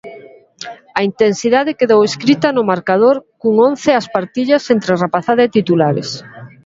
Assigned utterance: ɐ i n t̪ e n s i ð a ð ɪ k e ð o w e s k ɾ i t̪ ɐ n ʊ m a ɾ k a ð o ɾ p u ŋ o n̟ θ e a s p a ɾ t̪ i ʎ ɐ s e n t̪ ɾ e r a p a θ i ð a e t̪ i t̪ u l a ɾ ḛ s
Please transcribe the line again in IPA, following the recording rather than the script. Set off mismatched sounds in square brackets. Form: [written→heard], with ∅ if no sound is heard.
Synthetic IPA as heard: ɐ i n t̪ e n s i ð a ð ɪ k e ð o w e s k ɾ i t̪ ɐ n ʊ m a ɾ k a ð o ɾ [p→k] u ŋ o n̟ θ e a s p a ɾ t̪ i ʎ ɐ s e n t̪ ɾ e r a p a θ [i→a] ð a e t̪ i t̪ u l a ɾ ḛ s